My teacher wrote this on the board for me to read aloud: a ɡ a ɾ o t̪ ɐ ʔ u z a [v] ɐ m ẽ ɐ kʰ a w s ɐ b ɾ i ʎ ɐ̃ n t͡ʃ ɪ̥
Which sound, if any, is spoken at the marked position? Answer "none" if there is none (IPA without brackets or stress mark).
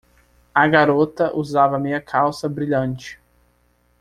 v